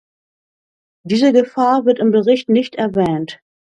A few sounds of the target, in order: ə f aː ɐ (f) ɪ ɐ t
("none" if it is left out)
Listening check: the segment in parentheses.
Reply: v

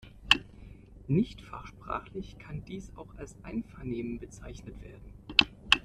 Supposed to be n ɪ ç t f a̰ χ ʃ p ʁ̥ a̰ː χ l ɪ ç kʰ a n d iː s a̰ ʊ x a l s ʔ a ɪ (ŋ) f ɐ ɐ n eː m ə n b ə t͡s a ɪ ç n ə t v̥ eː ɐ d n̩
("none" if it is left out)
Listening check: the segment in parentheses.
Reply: n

